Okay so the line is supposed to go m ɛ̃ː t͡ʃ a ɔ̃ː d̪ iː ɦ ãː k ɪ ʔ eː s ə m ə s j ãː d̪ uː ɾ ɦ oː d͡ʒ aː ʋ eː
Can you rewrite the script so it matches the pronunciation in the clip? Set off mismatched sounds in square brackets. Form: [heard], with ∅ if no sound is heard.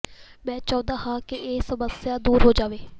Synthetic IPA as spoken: m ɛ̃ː t͡ʃ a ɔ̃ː d̪ [aː] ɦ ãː k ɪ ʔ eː s ə m ə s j [aː] d̪ uː ɾ ɦ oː d͡ʒ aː ʋ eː